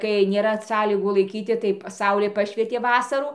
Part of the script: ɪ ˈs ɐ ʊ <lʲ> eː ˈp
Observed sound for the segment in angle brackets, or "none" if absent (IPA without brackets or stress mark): lʲ